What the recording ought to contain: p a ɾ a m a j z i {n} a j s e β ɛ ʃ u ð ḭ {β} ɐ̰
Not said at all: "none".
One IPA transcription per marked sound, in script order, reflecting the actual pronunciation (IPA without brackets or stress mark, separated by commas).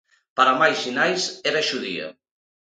n, none